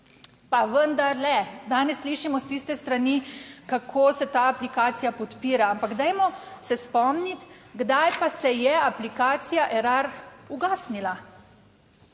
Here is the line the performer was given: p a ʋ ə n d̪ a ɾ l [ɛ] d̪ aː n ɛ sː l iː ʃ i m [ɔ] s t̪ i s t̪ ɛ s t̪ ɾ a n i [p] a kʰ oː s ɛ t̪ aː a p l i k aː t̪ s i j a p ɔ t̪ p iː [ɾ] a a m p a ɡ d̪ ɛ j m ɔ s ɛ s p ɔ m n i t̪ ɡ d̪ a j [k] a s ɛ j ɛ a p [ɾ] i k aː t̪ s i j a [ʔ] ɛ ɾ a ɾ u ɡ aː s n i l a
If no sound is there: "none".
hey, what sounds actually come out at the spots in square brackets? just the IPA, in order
ɛ, ɔ, k, ɾ, p, l, ʔ

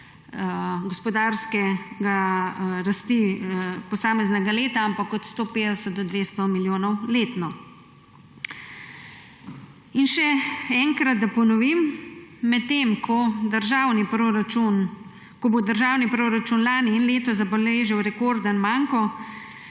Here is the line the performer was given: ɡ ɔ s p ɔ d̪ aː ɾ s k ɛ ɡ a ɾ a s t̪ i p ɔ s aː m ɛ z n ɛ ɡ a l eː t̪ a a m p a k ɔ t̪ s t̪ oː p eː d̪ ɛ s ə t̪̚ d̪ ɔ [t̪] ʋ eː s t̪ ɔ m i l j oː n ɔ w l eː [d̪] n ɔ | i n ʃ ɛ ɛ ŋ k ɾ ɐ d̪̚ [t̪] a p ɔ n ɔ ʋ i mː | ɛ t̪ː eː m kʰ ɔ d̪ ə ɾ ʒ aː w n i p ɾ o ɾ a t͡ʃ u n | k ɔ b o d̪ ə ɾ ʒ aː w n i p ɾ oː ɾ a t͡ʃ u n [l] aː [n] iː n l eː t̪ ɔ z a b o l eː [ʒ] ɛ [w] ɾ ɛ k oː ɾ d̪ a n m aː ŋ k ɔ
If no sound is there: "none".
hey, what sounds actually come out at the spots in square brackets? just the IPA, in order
d̪, t̪, d̪, l, n, ʒ, w

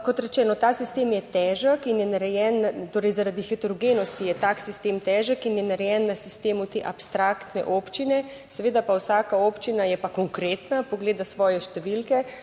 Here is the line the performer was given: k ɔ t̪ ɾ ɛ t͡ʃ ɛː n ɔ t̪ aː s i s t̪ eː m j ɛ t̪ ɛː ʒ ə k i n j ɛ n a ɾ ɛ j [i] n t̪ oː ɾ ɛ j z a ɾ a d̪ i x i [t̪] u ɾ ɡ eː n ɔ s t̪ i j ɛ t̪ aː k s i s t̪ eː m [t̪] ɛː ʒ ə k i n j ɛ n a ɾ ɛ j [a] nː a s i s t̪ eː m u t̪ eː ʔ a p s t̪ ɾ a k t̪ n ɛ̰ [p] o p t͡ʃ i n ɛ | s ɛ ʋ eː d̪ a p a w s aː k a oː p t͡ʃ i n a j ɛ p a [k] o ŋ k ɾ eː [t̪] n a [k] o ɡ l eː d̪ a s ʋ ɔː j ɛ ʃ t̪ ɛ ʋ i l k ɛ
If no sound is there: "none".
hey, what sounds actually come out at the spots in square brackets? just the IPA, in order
ɛ, t̪, t̪, ɛ, ʔ, k, t̪, p

